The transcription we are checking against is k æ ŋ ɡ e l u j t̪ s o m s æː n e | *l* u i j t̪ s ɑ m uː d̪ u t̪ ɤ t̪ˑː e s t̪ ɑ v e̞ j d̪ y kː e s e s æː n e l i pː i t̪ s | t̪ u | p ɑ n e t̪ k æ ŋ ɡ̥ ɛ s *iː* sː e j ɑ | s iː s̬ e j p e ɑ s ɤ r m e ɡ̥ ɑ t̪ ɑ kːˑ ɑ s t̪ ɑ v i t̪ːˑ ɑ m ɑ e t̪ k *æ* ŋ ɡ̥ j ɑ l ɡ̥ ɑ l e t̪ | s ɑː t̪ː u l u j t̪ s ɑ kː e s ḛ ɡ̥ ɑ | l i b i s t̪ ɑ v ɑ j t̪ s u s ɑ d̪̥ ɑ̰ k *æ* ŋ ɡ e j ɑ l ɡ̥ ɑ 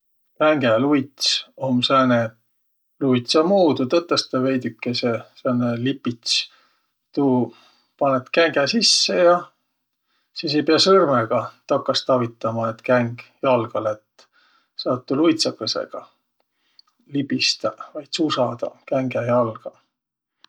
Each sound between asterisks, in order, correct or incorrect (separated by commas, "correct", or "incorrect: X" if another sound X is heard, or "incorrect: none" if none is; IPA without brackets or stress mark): correct, incorrect: i, correct, correct